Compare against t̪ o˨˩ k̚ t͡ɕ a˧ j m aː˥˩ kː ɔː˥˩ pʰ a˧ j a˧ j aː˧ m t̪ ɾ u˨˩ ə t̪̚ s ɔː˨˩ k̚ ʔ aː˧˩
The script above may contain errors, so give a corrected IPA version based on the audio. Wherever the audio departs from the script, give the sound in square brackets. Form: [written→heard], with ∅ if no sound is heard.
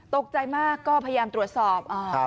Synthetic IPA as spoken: t̪ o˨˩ k̚ t͡ɕ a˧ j m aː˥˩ kː ɔː˥˩ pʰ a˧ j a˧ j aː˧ m t̪ ɾ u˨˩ ə t̪̚ s ɔː˨˩ [k̚→p̚] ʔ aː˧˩